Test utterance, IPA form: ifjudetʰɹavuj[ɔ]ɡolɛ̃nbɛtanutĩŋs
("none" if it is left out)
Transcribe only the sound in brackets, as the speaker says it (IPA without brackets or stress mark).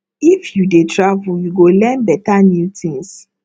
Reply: u